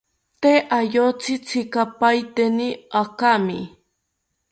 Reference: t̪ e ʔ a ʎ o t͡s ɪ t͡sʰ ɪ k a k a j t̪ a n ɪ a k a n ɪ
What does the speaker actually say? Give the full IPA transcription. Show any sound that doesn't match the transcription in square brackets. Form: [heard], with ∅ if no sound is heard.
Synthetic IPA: t̪ e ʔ a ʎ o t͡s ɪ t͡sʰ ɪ k a [p] a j t̪ [e] n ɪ a k a [m] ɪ